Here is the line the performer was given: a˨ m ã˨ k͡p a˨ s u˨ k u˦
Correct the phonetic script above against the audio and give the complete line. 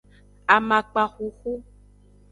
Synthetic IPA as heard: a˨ m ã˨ k͡p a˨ x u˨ x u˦